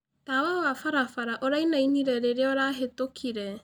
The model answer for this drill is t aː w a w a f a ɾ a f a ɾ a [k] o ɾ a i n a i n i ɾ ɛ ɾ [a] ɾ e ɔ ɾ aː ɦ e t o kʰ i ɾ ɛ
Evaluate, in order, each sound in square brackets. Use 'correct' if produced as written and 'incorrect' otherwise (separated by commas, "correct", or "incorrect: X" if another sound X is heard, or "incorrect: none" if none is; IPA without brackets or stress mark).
incorrect: ʔ, incorrect: e